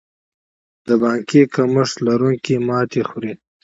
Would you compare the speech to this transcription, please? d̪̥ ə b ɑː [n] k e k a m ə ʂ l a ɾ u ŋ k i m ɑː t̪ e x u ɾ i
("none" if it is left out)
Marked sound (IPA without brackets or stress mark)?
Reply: ŋ